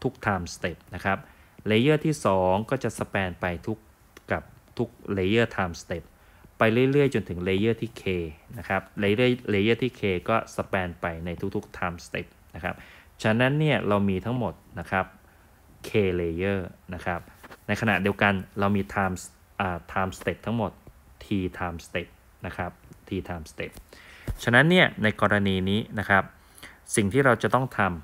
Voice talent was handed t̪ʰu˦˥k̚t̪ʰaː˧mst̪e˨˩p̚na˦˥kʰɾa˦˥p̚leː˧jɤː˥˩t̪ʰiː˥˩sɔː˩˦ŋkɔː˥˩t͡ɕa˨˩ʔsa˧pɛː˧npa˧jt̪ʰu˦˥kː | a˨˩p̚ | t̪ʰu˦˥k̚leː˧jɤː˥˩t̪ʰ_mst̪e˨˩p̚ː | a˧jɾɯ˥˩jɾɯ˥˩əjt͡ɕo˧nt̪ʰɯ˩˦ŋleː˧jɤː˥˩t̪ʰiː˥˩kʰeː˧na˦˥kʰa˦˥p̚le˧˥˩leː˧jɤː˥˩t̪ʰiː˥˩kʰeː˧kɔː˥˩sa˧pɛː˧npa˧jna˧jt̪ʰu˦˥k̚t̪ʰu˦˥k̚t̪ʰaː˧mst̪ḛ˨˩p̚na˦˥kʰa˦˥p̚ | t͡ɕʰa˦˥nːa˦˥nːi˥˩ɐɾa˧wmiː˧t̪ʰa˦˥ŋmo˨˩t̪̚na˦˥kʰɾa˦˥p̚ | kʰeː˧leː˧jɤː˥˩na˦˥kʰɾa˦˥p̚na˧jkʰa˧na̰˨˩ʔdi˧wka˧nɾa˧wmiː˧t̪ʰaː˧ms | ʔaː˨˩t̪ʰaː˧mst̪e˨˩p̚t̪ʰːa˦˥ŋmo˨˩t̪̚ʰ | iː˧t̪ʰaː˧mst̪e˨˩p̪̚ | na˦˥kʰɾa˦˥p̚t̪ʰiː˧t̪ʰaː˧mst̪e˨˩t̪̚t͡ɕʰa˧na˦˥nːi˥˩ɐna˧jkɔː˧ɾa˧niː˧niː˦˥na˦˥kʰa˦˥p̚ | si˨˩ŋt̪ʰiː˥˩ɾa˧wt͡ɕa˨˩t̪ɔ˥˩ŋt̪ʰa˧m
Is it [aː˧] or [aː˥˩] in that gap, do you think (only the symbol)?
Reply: aː˧